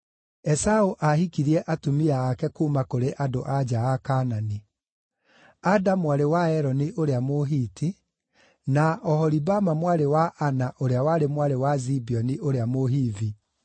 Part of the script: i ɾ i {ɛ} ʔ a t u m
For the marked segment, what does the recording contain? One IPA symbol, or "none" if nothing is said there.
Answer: ɛ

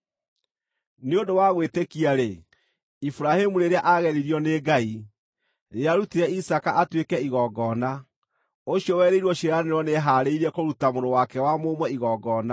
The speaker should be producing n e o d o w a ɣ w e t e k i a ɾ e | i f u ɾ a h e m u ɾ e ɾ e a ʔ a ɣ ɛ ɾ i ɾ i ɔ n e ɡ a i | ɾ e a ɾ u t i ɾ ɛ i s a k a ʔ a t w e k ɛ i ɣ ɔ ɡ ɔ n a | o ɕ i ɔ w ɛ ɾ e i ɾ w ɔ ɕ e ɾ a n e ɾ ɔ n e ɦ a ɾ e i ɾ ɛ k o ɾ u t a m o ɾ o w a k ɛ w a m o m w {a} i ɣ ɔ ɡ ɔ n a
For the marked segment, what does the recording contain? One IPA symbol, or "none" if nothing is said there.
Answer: ɛ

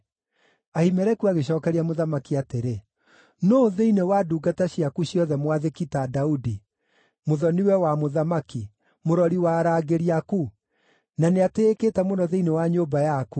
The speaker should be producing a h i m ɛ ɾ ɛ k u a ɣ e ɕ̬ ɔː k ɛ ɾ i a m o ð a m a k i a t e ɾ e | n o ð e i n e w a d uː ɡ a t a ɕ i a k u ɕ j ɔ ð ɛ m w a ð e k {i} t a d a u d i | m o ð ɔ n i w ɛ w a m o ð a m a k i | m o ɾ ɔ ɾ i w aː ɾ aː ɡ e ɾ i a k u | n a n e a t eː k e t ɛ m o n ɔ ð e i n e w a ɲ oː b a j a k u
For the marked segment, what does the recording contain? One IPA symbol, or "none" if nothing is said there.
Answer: i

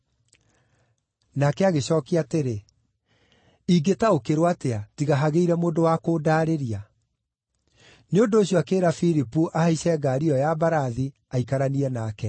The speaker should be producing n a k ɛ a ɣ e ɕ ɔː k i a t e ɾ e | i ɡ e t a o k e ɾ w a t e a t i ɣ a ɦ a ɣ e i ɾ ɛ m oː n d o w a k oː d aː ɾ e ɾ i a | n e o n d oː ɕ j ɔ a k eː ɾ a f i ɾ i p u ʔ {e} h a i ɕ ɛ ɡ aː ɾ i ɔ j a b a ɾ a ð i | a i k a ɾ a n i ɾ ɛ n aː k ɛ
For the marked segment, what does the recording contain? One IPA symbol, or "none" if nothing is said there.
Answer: a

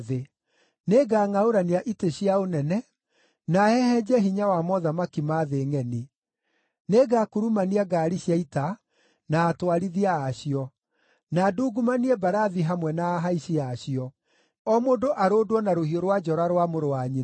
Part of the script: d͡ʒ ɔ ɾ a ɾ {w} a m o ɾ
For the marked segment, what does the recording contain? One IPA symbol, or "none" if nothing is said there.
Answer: w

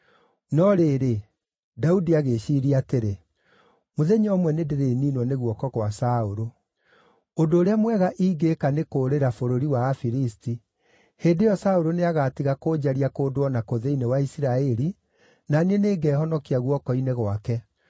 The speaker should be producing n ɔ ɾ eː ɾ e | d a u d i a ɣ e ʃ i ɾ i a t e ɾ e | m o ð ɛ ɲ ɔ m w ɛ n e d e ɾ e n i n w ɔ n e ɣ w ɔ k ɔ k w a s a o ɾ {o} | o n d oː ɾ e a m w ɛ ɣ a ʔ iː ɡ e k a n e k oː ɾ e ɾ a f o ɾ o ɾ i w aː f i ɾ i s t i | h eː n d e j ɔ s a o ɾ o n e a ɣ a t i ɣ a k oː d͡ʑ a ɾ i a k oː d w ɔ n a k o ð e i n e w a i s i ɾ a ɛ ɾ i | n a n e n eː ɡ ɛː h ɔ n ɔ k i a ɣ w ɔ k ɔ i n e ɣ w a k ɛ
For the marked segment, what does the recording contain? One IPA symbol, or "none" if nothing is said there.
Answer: o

